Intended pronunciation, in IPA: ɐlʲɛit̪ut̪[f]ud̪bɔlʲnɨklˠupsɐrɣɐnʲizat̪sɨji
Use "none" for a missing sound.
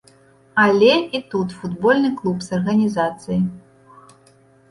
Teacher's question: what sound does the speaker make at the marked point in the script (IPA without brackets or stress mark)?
f